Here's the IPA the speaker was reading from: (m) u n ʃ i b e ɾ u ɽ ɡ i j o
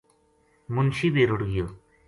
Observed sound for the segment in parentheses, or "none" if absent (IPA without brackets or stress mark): m